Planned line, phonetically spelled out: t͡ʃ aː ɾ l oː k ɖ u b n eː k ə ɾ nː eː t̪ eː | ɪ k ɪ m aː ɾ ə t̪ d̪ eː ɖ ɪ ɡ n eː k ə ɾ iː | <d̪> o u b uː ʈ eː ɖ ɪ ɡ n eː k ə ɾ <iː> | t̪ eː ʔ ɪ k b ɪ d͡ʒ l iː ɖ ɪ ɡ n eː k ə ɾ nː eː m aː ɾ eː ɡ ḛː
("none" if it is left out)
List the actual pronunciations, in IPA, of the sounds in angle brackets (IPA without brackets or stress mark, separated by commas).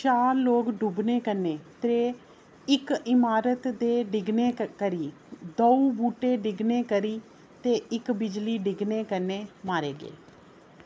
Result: d̪, iː